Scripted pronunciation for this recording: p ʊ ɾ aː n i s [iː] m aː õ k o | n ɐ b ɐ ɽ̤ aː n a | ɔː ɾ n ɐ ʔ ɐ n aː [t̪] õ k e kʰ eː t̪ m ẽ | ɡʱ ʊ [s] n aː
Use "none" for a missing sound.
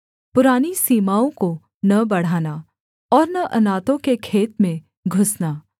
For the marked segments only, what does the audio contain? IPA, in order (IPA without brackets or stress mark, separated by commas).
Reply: iː, t̪, s